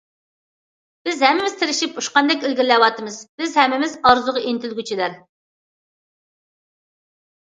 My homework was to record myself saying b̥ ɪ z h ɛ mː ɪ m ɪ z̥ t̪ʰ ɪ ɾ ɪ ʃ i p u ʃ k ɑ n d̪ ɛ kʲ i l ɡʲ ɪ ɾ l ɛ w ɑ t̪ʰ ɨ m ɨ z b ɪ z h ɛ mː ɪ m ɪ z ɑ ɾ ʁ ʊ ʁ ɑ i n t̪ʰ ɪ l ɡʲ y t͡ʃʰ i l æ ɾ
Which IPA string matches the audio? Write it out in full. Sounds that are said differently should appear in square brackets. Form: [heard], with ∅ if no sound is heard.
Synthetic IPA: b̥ ɪ z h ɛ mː ɪ m ɪ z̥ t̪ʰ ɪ ɾ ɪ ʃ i p u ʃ [q] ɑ n d̪ ɛ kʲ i l ɡʲ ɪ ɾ l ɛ w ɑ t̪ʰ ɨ m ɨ z b ɪ z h ɛ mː ɪ m ɪ z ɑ ɾ [z] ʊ ʁ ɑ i n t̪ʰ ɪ l ɡʲ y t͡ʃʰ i l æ ɾ